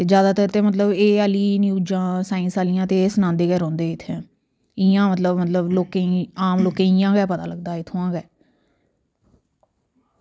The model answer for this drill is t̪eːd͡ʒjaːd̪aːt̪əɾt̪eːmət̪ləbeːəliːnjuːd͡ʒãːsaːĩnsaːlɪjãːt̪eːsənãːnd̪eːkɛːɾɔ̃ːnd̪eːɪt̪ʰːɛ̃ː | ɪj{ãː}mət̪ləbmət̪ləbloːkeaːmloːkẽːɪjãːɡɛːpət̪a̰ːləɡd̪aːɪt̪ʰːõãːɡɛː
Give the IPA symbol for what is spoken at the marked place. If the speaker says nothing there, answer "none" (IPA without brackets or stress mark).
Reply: ãː